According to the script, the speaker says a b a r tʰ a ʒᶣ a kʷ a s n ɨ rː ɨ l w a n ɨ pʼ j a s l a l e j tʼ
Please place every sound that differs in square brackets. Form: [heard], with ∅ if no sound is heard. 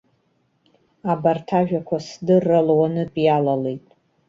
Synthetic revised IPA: a b a r tʰ a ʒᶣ a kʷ a s [d] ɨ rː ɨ l w a n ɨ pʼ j a [∅] l a l e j tʼ